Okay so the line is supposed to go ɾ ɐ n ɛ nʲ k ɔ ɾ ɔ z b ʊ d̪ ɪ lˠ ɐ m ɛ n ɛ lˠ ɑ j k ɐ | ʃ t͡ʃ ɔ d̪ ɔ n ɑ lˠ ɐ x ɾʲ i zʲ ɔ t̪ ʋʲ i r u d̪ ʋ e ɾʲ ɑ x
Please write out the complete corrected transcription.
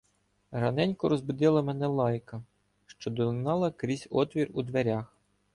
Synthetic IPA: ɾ ɐ n ɛ nʲ k ɔ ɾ ɔ z b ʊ d̪ ɪ lˠ ɐ m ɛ n ɛ lˠ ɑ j k ɐ | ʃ t͡ʃ ɔ d̪ ɔ n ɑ lˠ ɐ k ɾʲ i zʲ ɔ t̪ ʋʲ i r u d̪ ʋ e ɾʲ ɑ x